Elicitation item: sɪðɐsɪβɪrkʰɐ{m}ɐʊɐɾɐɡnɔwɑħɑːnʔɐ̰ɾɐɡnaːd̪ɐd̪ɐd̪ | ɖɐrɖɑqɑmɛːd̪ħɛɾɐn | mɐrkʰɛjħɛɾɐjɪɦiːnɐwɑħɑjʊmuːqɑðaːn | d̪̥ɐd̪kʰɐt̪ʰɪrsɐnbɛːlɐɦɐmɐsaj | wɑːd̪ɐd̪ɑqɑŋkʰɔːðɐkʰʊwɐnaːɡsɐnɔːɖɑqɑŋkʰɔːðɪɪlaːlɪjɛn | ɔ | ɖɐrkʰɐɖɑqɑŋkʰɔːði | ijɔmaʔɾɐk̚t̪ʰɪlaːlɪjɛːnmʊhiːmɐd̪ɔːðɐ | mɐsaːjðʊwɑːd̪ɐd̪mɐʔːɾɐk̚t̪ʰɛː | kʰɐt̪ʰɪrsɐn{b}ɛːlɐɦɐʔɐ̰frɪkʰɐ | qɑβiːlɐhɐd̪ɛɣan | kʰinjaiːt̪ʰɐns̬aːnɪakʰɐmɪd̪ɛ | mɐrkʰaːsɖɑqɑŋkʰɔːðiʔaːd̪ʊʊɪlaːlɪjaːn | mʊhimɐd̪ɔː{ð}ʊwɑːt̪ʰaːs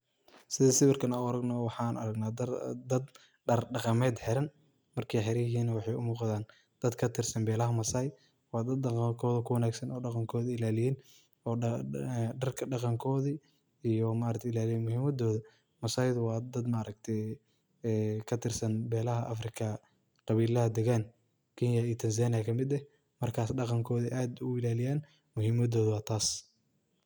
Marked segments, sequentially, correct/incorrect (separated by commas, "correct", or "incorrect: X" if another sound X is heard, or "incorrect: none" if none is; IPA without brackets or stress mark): incorrect: n, correct, correct